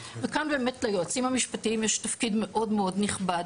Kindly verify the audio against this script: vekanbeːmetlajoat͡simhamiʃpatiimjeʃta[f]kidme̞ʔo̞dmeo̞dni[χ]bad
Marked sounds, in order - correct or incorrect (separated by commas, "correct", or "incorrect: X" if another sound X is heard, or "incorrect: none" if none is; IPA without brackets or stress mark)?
correct, correct